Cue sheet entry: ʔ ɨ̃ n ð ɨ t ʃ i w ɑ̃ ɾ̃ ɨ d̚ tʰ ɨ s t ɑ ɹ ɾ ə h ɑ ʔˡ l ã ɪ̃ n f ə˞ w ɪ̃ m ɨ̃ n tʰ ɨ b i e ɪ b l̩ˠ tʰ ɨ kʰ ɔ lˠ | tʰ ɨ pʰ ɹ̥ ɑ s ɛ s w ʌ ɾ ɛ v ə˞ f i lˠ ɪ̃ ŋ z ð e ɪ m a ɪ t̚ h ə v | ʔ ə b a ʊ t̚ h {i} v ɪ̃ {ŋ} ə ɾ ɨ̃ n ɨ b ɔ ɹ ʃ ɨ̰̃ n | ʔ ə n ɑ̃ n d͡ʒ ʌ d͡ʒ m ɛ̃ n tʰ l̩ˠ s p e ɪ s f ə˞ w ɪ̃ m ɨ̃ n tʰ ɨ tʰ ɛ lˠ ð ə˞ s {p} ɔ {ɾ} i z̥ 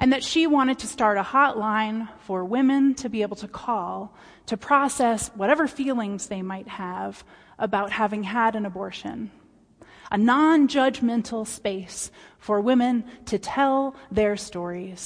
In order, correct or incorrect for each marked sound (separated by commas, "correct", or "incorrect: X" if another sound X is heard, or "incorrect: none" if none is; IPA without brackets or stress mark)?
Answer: incorrect: æ, correct, incorrect: t, incorrect: ɹ